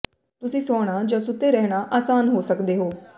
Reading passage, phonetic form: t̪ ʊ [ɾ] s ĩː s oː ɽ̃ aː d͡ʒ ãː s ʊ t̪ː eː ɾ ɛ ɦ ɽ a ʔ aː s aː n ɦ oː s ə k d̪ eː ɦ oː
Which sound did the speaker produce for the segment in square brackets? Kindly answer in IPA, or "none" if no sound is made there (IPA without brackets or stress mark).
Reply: none